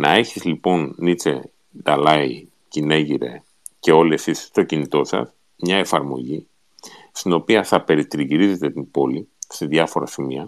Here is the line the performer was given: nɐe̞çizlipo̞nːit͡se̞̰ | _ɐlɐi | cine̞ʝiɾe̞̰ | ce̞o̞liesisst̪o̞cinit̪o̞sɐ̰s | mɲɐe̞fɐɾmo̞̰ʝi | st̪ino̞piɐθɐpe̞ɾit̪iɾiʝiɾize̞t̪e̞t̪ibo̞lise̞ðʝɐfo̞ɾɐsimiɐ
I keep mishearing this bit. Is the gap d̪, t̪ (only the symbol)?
d̪